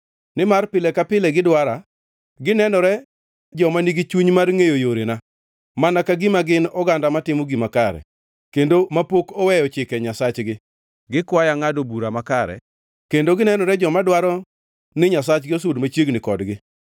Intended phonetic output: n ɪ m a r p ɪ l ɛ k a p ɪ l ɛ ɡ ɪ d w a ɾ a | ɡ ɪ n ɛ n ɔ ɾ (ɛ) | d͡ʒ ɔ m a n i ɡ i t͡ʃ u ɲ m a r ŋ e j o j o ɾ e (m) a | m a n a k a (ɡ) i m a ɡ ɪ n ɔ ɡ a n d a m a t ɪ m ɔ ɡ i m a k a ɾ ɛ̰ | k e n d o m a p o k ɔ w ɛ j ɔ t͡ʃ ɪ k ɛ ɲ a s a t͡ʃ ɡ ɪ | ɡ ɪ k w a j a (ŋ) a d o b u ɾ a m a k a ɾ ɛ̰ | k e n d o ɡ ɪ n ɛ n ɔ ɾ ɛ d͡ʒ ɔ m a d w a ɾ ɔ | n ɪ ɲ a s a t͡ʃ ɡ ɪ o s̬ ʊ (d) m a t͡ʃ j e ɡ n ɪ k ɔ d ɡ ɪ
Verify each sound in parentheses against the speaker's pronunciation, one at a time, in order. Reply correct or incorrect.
correct, incorrect, correct, correct, correct

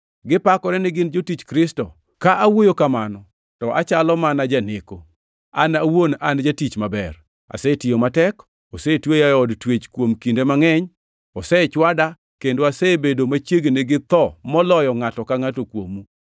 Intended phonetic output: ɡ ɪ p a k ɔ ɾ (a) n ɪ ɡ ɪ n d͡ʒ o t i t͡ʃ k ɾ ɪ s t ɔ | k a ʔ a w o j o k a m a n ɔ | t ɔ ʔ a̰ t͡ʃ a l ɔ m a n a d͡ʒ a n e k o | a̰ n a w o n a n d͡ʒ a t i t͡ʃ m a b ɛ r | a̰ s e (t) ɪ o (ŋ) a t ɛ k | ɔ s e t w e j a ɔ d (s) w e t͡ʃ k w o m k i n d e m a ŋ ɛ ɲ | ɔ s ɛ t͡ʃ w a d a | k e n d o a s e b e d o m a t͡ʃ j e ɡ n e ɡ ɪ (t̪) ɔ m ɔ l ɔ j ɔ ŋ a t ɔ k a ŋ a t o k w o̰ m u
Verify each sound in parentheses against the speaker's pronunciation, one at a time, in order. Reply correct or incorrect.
incorrect, correct, incorrect, incorrect, correct

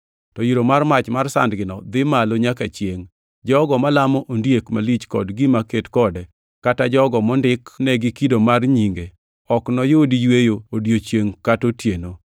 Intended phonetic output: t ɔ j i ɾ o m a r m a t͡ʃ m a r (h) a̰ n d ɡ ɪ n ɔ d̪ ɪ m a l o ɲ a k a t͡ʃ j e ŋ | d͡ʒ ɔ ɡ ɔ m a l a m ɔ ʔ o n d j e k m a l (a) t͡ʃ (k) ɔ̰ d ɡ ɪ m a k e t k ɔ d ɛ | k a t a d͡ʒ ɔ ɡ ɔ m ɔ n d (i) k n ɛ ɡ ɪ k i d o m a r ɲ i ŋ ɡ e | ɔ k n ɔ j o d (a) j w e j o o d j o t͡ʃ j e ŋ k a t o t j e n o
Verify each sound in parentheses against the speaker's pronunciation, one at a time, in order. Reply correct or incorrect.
incorrect, incorrect, correct, incorrect, incorrect

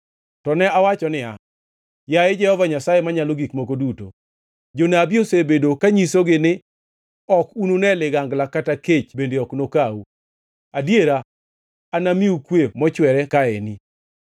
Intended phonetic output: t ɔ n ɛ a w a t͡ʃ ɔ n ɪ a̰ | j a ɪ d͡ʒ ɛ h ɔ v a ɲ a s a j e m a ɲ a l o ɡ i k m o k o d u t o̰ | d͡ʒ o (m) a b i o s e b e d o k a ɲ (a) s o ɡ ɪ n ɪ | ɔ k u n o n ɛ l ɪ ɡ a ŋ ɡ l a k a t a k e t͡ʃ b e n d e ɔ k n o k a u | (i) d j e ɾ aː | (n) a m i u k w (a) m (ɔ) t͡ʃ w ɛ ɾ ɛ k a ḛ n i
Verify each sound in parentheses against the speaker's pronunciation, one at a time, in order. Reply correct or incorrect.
incorrect, incorrect, incorrect, correct, incorrect, correct

